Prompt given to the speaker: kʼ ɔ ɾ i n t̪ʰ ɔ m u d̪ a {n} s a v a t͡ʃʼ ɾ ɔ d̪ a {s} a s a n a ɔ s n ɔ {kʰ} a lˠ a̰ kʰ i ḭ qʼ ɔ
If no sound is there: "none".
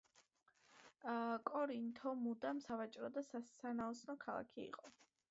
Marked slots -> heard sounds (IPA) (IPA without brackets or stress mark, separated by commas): m, s, kʰ